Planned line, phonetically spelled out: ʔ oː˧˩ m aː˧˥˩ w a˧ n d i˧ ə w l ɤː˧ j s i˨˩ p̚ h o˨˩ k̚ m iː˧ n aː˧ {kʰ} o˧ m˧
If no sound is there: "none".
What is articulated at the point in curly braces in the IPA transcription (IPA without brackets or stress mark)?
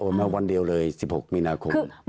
kʰ